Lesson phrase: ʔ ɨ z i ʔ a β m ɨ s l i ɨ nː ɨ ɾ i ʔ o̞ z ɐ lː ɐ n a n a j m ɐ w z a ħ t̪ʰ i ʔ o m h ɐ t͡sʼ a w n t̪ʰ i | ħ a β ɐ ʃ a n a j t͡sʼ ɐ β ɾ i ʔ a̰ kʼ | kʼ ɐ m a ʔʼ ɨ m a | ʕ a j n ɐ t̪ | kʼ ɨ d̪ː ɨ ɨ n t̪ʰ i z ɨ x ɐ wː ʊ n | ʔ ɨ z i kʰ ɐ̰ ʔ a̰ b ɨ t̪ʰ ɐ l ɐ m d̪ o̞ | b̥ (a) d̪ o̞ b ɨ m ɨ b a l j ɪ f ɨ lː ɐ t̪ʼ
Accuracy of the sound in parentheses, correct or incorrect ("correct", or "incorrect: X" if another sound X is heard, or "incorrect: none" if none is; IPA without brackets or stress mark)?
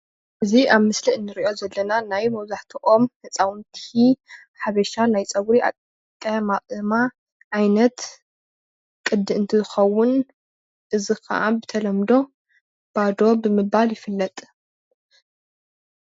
correct